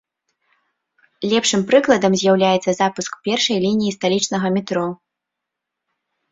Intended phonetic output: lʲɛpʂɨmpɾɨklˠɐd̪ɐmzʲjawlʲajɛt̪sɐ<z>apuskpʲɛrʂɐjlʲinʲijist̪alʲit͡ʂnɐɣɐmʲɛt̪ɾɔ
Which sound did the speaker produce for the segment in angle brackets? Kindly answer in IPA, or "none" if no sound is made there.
z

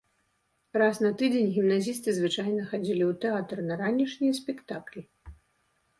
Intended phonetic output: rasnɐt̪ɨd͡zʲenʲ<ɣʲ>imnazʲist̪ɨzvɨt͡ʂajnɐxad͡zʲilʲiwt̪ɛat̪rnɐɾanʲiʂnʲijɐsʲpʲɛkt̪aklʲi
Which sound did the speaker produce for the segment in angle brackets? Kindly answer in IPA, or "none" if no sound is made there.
ɣʲ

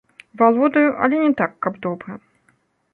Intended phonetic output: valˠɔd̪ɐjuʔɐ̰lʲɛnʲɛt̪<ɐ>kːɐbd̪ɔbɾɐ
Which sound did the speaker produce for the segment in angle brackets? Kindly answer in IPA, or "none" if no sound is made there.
a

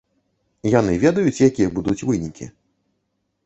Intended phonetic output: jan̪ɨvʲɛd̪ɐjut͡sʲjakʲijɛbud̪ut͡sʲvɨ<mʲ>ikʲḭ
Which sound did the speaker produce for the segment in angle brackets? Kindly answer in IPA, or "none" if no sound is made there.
nʲ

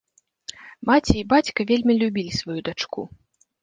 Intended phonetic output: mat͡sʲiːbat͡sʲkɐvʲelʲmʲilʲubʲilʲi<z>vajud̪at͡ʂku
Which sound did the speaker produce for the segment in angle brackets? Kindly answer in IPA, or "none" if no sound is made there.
s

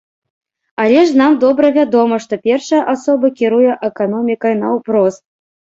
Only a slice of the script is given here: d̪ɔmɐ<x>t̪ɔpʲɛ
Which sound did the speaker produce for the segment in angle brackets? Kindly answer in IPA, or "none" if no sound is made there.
ʂ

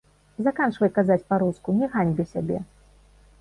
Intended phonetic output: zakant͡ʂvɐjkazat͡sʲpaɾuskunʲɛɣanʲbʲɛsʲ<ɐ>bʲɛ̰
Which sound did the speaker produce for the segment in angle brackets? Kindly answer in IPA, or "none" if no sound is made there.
a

